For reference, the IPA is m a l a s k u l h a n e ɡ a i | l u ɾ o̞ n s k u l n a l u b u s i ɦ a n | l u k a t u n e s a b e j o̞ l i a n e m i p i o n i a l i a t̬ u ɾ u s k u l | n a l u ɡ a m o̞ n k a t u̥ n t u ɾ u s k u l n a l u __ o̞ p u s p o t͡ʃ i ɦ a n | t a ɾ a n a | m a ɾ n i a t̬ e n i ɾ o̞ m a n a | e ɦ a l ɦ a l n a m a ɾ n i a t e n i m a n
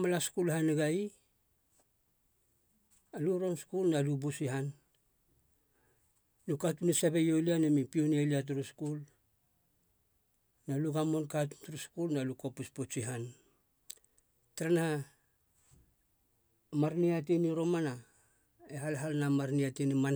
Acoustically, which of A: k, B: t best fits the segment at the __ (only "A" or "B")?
A